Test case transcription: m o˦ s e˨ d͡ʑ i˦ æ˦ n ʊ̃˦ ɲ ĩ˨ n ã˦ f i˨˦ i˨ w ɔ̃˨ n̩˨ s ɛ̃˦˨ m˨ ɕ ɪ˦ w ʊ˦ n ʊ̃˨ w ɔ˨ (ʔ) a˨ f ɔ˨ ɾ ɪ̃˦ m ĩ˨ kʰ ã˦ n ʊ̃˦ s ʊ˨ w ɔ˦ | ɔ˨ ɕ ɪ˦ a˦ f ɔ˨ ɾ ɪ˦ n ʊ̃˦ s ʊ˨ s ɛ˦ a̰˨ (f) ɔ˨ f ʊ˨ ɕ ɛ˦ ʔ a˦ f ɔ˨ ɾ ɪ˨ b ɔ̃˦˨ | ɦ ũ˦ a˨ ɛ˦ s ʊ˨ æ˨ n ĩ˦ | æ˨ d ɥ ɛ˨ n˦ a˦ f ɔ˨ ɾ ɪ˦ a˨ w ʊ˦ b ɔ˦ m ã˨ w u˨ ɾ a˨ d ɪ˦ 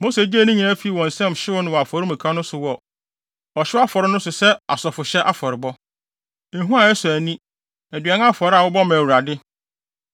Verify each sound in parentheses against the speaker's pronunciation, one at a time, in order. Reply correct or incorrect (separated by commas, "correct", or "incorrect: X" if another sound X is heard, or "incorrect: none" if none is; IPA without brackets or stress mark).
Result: incorrect: none, incorrect: s